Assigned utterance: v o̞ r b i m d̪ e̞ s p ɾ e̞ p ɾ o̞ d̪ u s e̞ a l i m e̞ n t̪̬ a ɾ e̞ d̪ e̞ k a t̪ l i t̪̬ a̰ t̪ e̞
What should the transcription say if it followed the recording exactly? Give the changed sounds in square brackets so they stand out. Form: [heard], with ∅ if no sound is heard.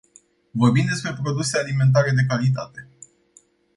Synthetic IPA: v o̞ r b i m d̪ e̞ s p ɾ e̞ p ɾ o̞ d̪ u s e̞ a l i m e̞ n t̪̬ a ɾ e̞ d̪ e̞ k a [∅] l i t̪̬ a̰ t̪ e̞